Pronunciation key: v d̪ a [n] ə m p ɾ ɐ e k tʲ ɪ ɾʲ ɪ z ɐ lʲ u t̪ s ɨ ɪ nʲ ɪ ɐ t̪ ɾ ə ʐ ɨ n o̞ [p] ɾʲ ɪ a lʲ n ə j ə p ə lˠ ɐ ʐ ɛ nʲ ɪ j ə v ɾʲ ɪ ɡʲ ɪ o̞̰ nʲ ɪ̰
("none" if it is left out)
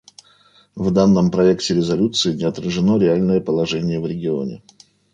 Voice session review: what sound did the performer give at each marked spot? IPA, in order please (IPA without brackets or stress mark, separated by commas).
nː, none